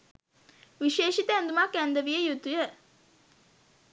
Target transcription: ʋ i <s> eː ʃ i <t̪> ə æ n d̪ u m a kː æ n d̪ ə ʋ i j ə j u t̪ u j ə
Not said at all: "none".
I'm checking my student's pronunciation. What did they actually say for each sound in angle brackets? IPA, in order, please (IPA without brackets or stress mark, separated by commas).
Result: ʃ, t̪